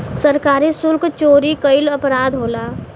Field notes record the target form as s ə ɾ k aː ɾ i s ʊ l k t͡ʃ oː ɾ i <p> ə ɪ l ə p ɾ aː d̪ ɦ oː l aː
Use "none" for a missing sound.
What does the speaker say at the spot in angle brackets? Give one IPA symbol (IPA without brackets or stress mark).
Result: k